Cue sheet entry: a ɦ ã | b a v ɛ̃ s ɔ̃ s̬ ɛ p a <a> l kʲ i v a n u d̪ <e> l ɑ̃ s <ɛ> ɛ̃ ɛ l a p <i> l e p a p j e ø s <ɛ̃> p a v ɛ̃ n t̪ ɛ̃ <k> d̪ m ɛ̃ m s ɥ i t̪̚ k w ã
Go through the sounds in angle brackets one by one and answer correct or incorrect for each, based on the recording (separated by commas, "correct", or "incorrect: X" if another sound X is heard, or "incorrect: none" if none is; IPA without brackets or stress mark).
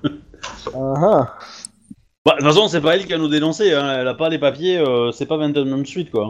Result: incorrect: ɛ, correct, incorrect: e, incorrect: a, incorrect: ɛ, incorrect: none